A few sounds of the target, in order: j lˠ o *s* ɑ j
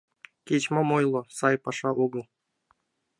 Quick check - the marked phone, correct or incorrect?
correct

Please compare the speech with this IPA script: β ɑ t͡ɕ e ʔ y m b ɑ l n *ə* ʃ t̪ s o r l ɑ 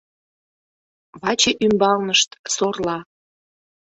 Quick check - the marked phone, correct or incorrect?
correct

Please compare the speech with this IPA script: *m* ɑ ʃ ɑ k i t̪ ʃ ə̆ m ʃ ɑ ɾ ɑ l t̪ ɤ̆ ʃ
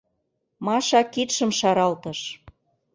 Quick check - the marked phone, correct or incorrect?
correct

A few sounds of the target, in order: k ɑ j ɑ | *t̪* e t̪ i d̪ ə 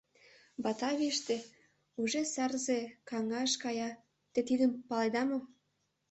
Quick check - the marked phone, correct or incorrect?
correct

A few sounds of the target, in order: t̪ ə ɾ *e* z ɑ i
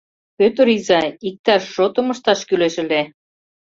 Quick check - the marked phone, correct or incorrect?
incorrect: i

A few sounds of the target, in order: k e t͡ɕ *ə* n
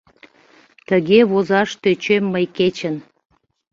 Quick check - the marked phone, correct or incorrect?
correct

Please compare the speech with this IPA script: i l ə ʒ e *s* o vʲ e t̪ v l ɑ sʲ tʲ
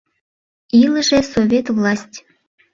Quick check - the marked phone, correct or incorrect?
correct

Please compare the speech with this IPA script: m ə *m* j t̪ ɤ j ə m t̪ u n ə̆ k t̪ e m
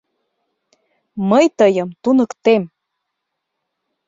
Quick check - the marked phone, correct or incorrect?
incorrect: none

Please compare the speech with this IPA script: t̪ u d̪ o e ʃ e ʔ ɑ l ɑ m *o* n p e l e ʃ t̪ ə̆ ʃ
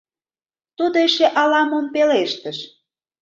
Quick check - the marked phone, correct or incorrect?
correct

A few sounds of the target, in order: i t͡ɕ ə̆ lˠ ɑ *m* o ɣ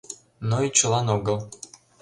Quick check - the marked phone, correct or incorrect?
incorrect: n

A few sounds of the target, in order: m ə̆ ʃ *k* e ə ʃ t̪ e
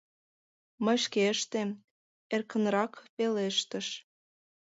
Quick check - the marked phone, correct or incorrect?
correct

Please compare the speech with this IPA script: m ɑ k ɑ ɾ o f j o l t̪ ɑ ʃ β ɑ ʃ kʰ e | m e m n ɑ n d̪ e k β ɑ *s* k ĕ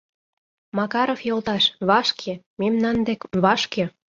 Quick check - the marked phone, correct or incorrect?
incorrect: ʃ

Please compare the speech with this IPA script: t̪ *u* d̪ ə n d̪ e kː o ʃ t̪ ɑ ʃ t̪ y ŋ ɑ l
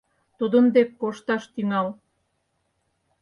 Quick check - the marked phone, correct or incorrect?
correct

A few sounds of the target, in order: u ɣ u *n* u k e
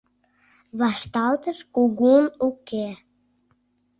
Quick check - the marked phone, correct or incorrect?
correct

